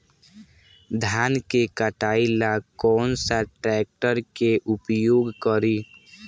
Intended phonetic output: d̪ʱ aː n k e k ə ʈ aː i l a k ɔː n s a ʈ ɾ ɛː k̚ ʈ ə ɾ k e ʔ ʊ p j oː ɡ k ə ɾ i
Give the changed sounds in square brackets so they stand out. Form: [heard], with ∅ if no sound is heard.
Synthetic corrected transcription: d̪ʱ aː n k e k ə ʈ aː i l a k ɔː n s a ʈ ɾ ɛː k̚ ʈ ə ɾ k e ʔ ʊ p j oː ɡ k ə ɾ i